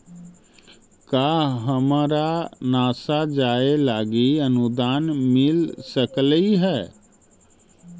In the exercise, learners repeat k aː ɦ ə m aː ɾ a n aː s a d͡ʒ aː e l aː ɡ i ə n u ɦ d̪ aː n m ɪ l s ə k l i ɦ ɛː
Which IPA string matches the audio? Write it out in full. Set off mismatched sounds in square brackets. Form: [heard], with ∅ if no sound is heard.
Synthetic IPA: k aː ɦ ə m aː ɾ a n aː s a d͡ʒ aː e l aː ɡ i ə n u [∅] d̪ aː n m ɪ l s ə k l i ɦ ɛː